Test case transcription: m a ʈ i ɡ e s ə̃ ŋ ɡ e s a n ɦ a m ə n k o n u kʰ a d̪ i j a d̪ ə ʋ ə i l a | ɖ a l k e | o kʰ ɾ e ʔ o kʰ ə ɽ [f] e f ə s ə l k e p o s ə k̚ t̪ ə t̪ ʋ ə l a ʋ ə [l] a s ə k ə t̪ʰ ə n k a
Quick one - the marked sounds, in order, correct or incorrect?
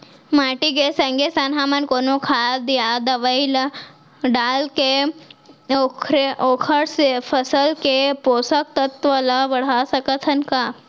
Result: incorrect, incorrect

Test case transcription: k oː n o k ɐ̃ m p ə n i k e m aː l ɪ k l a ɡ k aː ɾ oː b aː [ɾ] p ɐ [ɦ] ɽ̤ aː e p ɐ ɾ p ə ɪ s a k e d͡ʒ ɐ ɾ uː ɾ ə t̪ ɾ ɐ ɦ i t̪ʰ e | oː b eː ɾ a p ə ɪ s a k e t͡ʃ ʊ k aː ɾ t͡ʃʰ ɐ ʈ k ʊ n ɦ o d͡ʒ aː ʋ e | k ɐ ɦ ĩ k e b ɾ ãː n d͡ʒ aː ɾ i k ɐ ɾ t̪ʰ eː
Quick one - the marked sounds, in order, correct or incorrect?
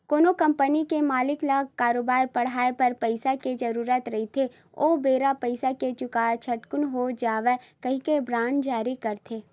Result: correct, incorrect

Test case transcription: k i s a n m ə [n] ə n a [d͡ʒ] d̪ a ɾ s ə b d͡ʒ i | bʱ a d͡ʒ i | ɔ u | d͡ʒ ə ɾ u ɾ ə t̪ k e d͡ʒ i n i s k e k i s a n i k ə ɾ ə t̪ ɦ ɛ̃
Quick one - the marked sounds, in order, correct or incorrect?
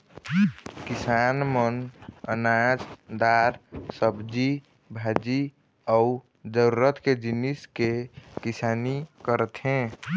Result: correct, correct

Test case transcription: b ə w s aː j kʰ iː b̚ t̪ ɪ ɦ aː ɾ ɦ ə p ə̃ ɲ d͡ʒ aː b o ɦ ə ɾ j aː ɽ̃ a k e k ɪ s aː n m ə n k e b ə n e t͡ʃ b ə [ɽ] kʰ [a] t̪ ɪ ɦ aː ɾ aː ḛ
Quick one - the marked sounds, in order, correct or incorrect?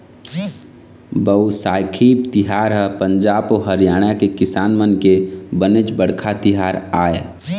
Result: correct, correct

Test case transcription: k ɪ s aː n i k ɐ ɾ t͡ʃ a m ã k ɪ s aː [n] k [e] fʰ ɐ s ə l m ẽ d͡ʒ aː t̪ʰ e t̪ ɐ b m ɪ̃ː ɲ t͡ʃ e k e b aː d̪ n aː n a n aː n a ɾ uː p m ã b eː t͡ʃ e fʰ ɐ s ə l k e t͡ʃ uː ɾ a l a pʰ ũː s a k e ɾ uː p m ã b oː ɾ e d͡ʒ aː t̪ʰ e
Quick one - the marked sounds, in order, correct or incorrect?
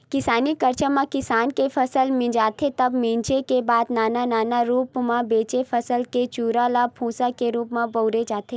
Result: correct, correct

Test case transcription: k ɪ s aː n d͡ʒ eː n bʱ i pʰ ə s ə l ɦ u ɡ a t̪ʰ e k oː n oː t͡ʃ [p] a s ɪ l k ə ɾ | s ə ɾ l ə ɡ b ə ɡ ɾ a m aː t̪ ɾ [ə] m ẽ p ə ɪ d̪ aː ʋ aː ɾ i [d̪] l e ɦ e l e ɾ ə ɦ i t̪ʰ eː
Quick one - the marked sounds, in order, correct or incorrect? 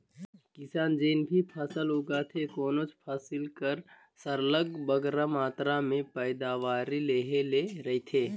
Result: incorrect, incorrect, incorrect

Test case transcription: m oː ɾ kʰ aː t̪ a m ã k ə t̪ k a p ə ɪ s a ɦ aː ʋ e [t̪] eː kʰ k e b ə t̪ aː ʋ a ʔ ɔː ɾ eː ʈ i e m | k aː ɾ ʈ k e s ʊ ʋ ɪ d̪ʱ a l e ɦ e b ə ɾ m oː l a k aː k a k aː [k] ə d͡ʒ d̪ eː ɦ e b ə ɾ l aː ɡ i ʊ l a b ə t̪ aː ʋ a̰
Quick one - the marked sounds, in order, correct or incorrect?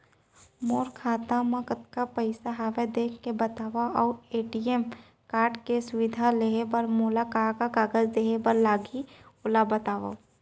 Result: incorrect, incorrect

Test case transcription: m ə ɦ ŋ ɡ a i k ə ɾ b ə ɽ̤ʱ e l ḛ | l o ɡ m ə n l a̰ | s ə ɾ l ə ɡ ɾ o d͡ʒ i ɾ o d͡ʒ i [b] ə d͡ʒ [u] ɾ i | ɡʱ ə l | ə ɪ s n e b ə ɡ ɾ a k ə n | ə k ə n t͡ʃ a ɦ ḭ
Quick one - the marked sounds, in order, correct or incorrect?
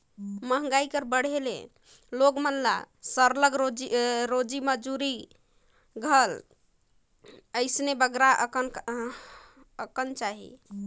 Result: incorrect, correct

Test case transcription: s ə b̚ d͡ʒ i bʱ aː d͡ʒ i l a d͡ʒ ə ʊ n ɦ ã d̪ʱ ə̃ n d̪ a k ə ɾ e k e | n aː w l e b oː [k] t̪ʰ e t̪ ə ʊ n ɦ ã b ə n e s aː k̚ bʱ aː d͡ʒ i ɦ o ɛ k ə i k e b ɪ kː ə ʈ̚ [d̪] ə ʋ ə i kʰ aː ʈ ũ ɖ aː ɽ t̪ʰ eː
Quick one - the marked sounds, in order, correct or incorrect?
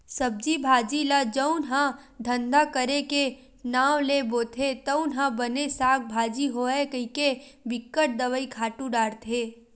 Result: incorrect, correct

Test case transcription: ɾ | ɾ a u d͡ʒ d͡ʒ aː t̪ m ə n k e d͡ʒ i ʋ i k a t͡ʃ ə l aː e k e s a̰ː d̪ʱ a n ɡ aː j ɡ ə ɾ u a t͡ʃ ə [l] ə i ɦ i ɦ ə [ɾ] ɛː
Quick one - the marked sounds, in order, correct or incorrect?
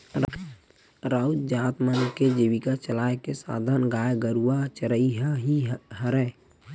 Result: incorrect, correct

